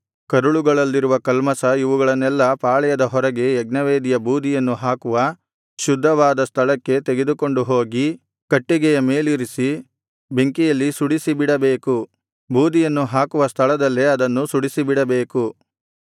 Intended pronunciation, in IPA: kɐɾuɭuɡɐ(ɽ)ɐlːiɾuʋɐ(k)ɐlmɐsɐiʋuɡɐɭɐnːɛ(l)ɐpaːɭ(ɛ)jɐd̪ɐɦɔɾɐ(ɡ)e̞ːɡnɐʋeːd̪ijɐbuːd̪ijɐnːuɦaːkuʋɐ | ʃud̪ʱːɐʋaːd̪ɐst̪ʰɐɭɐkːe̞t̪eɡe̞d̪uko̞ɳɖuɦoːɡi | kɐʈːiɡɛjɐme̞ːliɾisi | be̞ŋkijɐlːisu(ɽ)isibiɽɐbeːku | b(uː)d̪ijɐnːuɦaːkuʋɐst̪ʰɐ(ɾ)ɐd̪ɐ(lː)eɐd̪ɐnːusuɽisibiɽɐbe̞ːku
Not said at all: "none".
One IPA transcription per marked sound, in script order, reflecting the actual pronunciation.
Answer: ɭ, k, lː, ɛ, ɡ, ɽ, uː, ɭ, lː

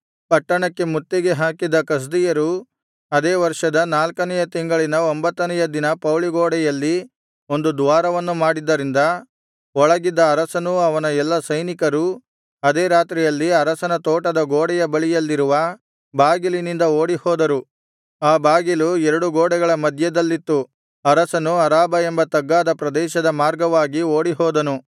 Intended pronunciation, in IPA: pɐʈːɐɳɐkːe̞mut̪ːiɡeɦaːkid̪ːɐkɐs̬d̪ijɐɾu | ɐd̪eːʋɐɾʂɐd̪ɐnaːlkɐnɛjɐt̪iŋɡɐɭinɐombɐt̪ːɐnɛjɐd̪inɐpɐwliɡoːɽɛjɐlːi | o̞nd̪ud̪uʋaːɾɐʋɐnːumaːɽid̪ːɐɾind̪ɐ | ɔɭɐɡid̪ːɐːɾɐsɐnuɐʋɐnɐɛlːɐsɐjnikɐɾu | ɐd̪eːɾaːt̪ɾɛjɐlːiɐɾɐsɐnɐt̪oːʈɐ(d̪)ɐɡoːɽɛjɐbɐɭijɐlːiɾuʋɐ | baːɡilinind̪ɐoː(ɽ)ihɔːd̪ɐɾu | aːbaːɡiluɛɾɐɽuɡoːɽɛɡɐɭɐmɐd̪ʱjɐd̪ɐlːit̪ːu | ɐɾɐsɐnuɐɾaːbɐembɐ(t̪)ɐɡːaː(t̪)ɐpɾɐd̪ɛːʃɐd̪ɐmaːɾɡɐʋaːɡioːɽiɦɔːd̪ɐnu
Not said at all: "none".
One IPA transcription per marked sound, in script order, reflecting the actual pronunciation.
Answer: d̪, ɽ, t̪, d̪

